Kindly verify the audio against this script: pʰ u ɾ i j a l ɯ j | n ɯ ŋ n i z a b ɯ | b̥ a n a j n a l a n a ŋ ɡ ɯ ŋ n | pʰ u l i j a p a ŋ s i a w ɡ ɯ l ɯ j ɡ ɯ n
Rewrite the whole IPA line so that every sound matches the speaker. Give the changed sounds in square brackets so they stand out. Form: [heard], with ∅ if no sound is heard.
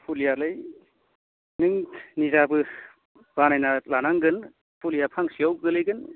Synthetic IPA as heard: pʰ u [l] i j a l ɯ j | n ɯ ŋ n i z a b ɯ | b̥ a n a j n a l a n a ŋ ɡ ɯ [∅] n | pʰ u l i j a [pʰ] a ŋ s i a w ɡ ɯ l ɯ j ɡ ɯ n